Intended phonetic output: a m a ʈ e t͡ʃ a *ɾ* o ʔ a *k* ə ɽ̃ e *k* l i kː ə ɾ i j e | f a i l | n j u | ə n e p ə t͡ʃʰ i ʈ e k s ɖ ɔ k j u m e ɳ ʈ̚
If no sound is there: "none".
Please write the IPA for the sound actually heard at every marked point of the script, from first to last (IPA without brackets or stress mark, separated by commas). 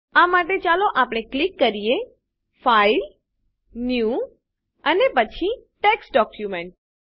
l, p, k